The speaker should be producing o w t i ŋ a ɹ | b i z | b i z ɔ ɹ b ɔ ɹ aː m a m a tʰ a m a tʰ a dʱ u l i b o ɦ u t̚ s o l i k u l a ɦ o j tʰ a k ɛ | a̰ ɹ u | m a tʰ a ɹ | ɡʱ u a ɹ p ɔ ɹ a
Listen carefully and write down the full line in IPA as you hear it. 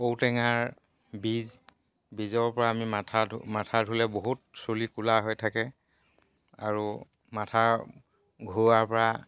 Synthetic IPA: o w t ɛ ŋ a ɹ | b i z | b i z ɔ ɹ p ɔ ɹ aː m i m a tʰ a m a tʰ a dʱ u l ɛ b o ɦ u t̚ s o l i k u l a ɦ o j tʰ a k ɛ | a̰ ɹ u | m a tʰ a ɹ | ɡʱ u a ɹ p ɔ ɹ a